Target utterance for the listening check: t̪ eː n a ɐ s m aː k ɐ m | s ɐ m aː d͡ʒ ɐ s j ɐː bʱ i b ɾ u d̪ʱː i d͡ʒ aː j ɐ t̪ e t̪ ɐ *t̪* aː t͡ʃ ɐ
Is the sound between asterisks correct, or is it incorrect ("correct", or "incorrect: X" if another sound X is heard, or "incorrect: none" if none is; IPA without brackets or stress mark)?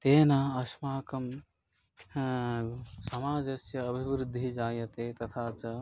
incorrect: t̪ʰ